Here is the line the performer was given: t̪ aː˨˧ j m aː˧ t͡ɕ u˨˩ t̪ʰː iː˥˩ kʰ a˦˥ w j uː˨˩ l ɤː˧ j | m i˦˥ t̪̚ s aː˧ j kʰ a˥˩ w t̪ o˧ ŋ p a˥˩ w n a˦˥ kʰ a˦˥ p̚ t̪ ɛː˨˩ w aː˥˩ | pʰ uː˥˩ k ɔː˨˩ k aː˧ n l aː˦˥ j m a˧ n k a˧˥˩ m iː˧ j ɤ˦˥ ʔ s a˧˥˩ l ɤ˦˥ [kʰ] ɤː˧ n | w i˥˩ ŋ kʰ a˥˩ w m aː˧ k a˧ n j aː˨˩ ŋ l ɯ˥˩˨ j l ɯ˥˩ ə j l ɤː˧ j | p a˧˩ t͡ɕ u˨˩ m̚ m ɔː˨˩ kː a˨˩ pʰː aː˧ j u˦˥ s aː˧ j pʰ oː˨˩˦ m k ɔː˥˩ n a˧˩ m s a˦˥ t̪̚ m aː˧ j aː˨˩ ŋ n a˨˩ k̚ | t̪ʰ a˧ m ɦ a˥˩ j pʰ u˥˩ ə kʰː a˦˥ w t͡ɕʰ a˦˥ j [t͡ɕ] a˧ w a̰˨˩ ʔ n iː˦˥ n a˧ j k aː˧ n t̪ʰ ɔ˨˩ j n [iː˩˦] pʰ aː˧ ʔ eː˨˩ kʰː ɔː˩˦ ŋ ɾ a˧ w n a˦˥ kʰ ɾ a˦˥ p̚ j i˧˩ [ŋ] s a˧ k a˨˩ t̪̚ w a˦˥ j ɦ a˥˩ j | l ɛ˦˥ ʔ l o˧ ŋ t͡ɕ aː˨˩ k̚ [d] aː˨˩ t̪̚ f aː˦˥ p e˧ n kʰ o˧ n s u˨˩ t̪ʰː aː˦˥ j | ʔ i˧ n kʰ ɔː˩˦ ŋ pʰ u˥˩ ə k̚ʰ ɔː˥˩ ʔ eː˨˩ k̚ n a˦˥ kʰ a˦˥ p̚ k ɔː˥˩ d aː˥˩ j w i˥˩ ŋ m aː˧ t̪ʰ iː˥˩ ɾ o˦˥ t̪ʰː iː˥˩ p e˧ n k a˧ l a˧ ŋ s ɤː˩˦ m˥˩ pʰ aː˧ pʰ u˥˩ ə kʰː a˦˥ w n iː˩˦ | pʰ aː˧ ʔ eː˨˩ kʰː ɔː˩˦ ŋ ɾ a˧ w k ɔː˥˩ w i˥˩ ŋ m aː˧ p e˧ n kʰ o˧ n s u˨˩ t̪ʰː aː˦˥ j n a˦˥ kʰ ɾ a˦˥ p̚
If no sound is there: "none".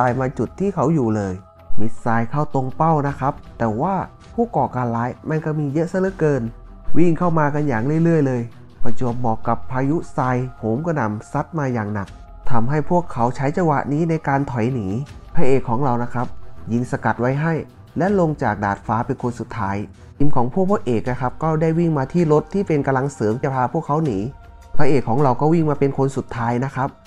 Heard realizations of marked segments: k, t͡ɕ, iː˩˦, ŋ, d

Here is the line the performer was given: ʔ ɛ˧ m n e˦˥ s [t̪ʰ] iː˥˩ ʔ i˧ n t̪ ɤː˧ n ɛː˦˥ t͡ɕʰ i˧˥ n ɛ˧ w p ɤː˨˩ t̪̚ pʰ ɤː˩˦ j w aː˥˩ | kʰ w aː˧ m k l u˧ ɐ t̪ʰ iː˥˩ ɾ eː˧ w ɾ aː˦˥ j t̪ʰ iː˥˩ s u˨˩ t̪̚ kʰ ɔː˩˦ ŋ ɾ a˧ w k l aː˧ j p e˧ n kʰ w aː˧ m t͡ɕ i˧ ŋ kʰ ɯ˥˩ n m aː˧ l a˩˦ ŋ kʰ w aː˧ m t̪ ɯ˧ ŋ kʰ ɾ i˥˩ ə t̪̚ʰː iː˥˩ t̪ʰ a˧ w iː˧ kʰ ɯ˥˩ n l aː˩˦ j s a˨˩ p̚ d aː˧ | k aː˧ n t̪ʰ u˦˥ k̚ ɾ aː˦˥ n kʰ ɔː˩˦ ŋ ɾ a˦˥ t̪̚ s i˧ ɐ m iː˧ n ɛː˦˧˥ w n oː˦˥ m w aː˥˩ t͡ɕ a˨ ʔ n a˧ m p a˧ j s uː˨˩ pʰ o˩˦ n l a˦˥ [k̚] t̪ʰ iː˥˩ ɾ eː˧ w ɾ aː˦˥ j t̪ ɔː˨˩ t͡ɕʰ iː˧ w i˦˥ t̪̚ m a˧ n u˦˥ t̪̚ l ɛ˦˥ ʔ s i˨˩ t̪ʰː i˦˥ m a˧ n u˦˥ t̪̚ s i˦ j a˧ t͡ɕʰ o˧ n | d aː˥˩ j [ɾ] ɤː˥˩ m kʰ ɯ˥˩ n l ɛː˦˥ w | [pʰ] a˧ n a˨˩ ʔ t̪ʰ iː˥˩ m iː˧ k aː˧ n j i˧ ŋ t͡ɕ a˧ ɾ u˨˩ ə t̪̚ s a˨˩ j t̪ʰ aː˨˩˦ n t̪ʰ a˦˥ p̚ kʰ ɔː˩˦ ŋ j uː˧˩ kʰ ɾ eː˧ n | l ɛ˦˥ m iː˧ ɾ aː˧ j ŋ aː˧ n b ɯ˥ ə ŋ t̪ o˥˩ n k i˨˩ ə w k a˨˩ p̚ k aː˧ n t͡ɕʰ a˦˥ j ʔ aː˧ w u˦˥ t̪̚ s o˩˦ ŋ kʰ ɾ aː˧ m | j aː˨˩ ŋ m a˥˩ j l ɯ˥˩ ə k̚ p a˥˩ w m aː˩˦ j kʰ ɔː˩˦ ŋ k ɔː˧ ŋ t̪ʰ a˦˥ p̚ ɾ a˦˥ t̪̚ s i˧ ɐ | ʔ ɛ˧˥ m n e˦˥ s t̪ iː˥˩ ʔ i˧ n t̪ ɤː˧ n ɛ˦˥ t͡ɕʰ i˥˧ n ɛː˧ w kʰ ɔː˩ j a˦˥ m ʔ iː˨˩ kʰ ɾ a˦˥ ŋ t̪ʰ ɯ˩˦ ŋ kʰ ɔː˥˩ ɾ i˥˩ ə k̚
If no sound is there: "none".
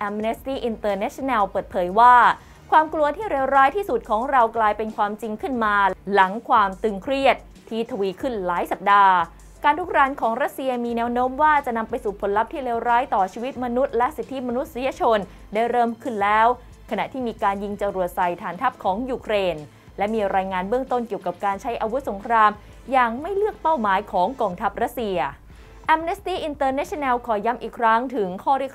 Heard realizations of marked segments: t̪, p̚, ɾ, kʰ

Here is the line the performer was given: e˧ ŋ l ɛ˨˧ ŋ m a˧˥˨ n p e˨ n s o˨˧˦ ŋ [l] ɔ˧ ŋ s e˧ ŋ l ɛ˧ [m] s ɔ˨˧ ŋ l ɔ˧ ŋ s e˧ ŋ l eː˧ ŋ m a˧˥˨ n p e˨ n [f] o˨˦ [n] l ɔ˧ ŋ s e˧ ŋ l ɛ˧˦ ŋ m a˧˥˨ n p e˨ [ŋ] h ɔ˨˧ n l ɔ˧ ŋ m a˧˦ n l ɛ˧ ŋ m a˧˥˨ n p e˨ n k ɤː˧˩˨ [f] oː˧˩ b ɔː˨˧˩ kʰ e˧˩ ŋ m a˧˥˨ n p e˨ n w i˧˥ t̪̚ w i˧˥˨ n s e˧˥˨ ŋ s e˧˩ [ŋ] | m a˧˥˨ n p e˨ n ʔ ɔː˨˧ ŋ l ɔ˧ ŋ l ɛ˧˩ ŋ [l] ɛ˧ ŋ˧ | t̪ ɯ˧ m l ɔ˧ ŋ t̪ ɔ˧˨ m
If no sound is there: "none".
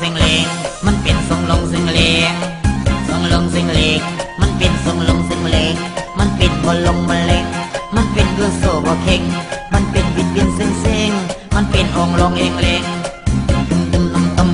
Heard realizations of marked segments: l, ŋ, s, ŋ, n, s, ŋ, l

